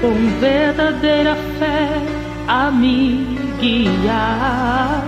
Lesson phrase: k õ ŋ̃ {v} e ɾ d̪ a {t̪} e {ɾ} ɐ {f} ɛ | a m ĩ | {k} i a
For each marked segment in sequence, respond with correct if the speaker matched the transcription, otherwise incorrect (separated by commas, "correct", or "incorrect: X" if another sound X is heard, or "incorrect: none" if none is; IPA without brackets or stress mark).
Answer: correct, incorrect: d̪, correct, correct, incorrect: ɡ